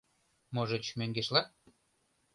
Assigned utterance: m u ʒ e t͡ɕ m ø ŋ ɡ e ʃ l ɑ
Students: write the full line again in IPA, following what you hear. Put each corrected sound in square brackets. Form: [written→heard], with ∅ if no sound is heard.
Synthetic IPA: m [u→o] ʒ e t͡ɕ m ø ŋ ɡ e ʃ l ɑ